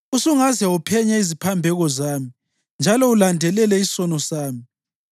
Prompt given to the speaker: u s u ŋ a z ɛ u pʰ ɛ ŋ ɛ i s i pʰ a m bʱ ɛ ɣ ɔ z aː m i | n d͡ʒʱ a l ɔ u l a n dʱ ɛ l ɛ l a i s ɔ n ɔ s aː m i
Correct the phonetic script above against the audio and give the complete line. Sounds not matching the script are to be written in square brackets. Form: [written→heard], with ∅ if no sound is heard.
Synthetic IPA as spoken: u s u ŋ a z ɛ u pʰ ɛ [ŋ→ɲ] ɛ i [s→z] i pʰ a m bʱ ɛ ɣ ɔ z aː m i | n d͡ʒʱ a l ɔ u l a n dʱ ɛ l ɛ l [a→ɛ] i s ɔ n ɔ s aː m i